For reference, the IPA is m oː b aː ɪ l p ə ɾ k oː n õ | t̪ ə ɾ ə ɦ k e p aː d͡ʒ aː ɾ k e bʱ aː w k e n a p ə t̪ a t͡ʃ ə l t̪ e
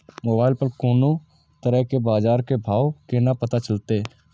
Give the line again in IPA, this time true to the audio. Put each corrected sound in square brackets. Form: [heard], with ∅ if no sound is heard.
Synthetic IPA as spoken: m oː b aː ɪ l p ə ɾ k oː n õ | t̪ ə ɾ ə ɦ k e [b] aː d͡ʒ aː ɾ k e bʱ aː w k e n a p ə t̪ a t͡ʃ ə l t̪ e